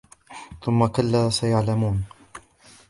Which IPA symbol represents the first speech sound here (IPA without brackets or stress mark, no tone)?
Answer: θ